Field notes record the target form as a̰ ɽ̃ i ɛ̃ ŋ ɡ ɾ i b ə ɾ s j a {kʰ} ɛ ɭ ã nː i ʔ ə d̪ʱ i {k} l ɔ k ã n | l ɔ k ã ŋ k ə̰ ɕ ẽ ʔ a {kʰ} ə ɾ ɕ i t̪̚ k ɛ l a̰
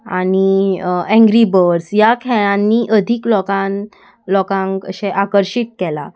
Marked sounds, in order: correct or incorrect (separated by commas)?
correct, correct, incorrect